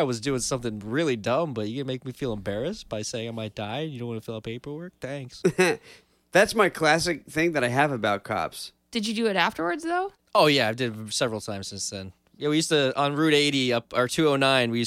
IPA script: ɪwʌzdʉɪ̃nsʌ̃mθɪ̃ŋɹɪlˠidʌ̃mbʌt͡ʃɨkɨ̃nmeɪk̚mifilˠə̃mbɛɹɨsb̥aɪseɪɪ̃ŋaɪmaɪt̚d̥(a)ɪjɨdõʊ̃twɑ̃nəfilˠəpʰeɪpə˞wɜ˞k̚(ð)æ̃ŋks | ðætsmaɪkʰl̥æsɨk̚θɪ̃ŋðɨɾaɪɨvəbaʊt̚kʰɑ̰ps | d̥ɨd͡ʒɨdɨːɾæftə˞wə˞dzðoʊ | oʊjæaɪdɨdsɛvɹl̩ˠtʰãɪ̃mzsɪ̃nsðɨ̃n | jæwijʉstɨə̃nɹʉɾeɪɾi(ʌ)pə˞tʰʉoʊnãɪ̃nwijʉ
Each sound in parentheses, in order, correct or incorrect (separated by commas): correct, incorrect, correct